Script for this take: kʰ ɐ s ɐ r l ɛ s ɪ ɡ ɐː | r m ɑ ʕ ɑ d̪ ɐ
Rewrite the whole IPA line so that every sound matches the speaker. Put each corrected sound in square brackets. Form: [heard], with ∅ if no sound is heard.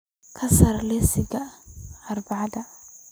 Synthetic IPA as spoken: kʰ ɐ s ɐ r l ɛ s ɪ ɡ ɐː | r [b] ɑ ʕ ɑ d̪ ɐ

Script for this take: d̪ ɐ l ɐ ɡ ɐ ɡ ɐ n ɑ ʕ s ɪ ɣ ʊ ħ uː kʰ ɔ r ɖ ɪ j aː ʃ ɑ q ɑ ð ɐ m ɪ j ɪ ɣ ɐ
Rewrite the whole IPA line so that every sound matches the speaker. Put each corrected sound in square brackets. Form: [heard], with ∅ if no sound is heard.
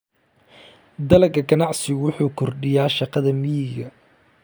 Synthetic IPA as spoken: d̪ ɐ l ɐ ɡ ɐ ɡ ɐ n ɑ ʕ s ɪ [w] ʊ ħ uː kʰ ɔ r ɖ ɪ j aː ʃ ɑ q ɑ ð ɐ m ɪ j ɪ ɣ ɐ

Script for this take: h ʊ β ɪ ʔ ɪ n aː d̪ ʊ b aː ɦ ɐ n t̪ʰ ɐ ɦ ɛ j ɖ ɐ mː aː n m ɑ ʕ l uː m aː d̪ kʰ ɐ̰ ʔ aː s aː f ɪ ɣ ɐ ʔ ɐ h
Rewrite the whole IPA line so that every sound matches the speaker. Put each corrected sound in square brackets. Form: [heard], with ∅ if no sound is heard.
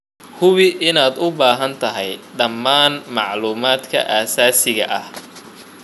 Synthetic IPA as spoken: h ʊ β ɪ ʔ ɪ n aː d̪ ʊ b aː ɦ ɐ n t̪ʰ ɐ ɦ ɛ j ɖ ɐ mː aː n m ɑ ʕ l uː m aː d̪ kʰ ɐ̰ ʔ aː s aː [s] ɪ ɣ ɐ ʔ ɐ h

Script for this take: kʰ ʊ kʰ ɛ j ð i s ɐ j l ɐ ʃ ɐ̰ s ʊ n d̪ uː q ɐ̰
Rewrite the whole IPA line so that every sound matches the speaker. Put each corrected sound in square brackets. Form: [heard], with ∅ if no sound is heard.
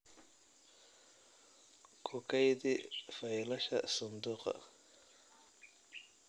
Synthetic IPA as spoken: kʰ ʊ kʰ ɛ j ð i [f] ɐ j l ɐ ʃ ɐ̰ s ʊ n d̪ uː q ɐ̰

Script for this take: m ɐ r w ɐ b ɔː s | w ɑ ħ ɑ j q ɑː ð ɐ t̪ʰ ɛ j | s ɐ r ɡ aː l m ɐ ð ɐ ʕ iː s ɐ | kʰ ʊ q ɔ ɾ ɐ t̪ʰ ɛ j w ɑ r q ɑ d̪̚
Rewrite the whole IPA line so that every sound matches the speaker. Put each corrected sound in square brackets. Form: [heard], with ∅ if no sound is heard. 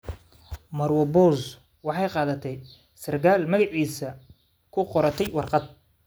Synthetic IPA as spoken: m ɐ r w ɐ b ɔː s | w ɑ ħ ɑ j q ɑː ð ɐ t̪ʰ ɛ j | s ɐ r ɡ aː l m ɐ [ɣ] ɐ ʕ iː s ɐ | kʰ ʊ q ɔ ɾ ɐ t̪ʰ ɛ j w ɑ r q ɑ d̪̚

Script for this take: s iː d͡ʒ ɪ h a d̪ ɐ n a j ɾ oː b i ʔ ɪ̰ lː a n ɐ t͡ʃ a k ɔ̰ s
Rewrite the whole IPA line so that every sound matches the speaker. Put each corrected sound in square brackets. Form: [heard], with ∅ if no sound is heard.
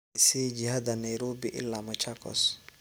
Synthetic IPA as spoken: s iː d͡ʒ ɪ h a d̪ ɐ n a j ɾ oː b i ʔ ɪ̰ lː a [m] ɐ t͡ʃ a k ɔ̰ s

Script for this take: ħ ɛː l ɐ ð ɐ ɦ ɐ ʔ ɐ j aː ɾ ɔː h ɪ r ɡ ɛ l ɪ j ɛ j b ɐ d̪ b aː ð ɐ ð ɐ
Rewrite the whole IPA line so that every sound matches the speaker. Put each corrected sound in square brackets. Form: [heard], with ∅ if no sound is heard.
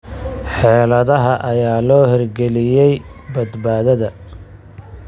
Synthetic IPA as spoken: ħ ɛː l ɐ ð ɐ ɦ ɐ ʔ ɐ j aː [l] ɔː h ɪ r ɡ ɛ l ɪ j ɛ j b ɐ d̪ b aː ð ɐ ð ɐ

